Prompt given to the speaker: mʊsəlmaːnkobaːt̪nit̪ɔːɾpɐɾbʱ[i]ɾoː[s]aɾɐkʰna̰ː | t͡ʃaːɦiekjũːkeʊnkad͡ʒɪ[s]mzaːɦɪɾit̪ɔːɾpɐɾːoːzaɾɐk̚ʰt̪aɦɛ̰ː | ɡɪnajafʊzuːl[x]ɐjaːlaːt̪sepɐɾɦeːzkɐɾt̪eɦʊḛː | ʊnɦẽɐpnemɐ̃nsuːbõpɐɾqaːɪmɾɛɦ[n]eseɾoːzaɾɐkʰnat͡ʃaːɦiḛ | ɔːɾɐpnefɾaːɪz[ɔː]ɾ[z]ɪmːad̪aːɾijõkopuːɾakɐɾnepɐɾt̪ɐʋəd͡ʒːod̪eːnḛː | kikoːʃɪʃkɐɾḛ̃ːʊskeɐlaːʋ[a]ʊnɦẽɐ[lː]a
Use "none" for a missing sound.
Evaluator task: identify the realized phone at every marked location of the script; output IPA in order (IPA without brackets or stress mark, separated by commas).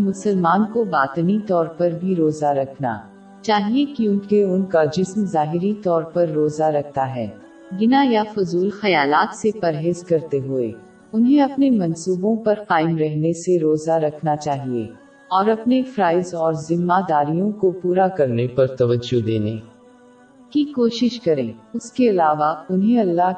i, z, s, x, n, ɔː, z, a, lː